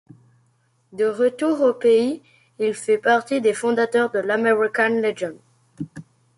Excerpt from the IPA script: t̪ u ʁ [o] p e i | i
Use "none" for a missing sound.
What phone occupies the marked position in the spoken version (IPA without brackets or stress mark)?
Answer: o